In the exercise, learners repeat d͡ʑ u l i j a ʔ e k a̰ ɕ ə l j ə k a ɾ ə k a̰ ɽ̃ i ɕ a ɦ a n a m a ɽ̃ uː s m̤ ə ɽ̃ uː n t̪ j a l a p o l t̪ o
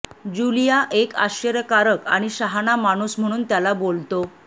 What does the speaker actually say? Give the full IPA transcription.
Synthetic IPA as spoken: d͡ʑ u l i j a ʔ e k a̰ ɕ ə ɾ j ə k a ɾ ə k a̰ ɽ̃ i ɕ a ɦ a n a m a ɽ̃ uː s m̤ ə ɽ̃ uː n t̪ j a l a b o l t̪ o